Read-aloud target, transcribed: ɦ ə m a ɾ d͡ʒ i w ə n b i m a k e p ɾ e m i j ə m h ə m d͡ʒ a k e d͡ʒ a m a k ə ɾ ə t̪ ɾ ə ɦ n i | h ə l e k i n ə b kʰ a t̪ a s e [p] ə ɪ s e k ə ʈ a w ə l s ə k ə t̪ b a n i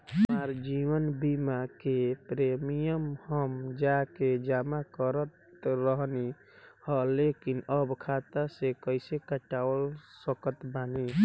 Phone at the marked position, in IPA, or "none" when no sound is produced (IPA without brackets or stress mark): k